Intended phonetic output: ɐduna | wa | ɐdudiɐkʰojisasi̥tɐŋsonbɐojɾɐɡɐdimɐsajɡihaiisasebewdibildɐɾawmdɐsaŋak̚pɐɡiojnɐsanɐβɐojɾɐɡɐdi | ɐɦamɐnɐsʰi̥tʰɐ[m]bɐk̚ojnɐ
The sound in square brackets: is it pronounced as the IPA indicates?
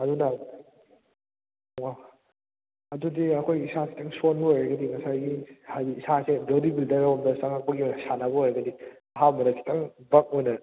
no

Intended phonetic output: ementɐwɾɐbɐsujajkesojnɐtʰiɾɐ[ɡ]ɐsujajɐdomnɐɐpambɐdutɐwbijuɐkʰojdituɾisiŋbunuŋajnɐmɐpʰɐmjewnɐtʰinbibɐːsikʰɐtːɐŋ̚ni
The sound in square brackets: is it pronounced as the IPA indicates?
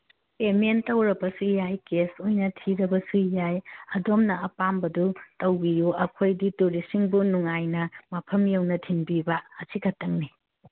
no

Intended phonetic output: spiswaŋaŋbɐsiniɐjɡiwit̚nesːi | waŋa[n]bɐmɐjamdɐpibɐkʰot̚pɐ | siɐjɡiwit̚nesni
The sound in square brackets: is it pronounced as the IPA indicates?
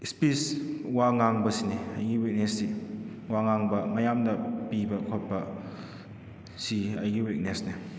no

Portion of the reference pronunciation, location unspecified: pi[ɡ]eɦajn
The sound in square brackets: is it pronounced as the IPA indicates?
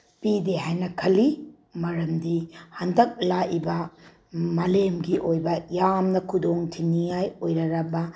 no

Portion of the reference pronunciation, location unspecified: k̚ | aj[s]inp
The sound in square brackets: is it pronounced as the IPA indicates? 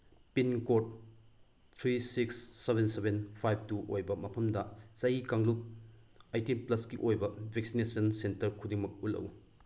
no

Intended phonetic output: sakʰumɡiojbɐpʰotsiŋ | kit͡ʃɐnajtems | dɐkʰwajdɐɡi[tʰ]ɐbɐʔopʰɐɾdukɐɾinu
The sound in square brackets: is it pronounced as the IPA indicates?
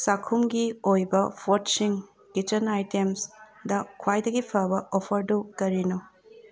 no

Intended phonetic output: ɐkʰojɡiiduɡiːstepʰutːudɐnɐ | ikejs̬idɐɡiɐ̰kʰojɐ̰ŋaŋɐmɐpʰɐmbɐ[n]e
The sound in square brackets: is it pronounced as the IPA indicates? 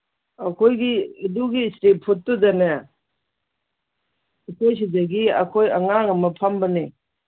yes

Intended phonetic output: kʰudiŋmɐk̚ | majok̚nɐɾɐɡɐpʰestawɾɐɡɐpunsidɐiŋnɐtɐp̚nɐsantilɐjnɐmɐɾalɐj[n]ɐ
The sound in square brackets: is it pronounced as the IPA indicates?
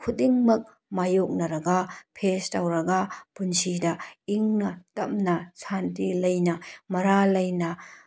yes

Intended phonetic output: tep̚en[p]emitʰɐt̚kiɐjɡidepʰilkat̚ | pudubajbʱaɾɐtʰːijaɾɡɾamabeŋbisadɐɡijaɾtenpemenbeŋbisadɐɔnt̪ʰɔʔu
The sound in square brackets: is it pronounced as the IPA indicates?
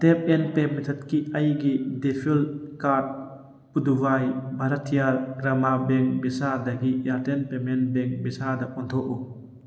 yes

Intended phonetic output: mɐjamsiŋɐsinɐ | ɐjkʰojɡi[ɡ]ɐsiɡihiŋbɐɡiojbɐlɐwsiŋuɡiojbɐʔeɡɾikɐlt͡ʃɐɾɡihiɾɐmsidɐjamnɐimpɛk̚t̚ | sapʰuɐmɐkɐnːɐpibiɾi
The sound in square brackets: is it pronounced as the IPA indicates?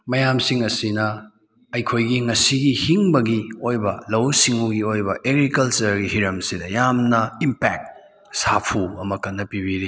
no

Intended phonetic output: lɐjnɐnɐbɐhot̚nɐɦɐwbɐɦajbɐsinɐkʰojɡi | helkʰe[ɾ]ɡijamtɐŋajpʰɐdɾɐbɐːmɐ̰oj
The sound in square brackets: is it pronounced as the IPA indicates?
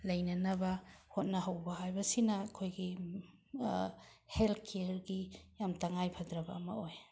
yes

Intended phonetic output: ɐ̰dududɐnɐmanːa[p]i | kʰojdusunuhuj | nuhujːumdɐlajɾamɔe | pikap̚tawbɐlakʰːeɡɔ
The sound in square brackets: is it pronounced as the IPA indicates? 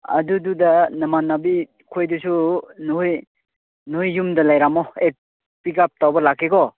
no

